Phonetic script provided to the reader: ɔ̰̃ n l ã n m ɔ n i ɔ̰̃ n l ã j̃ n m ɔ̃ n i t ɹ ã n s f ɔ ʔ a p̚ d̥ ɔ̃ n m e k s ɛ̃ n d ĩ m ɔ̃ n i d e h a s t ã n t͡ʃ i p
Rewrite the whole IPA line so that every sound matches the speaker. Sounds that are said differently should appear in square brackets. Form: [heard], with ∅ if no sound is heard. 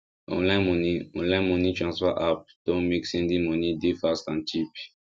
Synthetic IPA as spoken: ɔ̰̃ n l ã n m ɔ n i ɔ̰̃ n l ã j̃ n m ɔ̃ n i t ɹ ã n s f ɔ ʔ a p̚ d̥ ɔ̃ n m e k s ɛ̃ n d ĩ m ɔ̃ n i d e [f] a s t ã n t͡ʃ i p

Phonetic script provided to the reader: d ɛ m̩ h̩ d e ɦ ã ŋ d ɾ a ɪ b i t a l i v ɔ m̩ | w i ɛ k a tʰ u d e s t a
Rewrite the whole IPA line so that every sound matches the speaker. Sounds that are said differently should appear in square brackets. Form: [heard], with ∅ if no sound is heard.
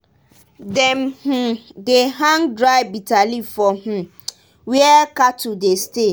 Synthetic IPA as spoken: d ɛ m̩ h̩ d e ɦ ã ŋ d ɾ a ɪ b i t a l i [f] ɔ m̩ | w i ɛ k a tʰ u d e s t [e]

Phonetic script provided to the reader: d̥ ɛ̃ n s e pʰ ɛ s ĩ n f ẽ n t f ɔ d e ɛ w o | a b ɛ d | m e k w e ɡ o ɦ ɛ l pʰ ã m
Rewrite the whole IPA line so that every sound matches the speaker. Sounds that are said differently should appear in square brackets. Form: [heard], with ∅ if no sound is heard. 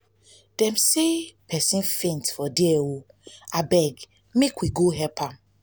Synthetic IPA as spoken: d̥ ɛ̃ [m] s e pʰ ɛ s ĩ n f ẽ n t f ɔ d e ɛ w o | a b ɛ [ɡ] | m e k w [i] ɡ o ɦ ɛ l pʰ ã m

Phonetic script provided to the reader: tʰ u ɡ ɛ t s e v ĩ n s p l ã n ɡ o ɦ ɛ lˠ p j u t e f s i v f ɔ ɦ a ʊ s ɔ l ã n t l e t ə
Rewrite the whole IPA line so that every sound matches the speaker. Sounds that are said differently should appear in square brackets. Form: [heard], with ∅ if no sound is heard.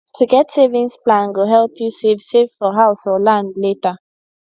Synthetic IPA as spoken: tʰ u ɡ ɛ t s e v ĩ n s p l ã n ɡ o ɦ ɛ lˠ p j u [s] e [v] s [e] v f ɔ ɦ a ʊ s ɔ l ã n [d] l e t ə

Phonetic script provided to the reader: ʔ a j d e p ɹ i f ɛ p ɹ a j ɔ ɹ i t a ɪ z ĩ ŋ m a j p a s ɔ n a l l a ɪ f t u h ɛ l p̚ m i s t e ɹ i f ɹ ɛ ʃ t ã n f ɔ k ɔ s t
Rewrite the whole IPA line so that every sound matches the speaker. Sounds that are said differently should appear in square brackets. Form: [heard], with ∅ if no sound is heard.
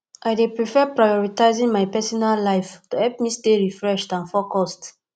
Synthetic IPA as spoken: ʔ a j d e p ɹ i f ɛ p ɹ a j ɔ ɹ i t a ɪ z ĩ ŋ m a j p [ɛ] s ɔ n a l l a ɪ f t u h ɛ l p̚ m i s t e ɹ i f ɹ ɛ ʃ t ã n f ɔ k ɔ s t

